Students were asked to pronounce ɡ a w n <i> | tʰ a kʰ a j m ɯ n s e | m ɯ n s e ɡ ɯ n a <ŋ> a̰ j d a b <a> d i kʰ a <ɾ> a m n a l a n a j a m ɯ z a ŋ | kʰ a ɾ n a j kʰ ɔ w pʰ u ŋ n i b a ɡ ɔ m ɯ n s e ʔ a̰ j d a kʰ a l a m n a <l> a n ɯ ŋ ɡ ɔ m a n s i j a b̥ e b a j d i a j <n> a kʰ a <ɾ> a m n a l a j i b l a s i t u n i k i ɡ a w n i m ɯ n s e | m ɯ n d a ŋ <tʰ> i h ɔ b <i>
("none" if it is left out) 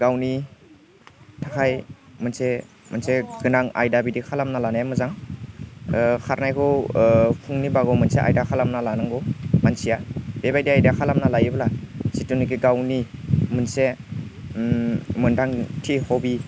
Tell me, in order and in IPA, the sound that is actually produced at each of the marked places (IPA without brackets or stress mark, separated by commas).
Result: i, ŋ, i, l, l, d, l, tʰ, i